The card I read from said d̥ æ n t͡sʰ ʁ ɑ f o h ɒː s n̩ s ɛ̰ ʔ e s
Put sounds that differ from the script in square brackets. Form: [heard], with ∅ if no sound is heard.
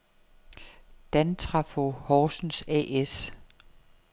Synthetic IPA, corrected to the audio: d̥ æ n t͡sʰ ʁ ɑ f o h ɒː s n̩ s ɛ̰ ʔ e s